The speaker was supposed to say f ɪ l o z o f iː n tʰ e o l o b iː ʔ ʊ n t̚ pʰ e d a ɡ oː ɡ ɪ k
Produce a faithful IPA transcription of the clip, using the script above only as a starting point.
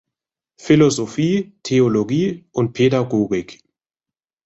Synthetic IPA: f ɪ l o z o f iː tʰ e o l o ɡ iː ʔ ʊ n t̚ pʰ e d a ɡ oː ɡ ɪ k